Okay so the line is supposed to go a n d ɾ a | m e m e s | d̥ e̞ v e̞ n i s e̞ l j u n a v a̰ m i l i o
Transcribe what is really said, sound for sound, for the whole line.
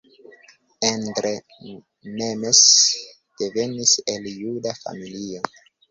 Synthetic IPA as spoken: e n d ɾ e | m e m e s | d̥ e̞ v e̞ n i s e̞ l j u d a f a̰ m i l i o